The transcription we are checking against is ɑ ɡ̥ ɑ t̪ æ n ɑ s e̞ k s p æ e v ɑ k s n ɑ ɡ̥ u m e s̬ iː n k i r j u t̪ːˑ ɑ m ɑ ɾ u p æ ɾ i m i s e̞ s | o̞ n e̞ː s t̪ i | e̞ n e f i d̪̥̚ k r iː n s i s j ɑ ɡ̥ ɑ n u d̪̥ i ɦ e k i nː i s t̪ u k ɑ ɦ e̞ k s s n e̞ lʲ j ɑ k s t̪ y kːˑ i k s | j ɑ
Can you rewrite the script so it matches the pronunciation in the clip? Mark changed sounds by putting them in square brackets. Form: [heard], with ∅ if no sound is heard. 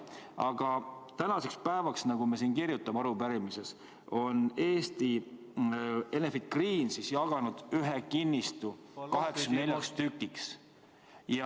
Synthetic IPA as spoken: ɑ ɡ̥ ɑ t̪ æ n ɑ s e̞ k s p æ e v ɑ k s n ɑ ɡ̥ u m e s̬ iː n k i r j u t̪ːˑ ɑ m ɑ ɾ u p æ ɾ i m i s e̞ s | o̞ n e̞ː s t̪ i | e̞ n e f i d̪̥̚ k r iː n s i s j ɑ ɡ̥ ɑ n u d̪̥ [y] ɦ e k i nː i s t̪ u k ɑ ɦ e̞ k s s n e̞ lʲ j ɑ k s t̪ y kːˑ i k s | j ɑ